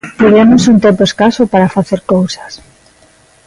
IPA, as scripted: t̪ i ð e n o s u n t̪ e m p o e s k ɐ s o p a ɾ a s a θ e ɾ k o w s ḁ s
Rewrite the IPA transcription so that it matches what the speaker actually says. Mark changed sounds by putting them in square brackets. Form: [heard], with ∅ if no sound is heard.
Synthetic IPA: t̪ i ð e [m] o s u n t̪ e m p o e s k [a] s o p a ɾ a [f] a θ e ɾ k o w s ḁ s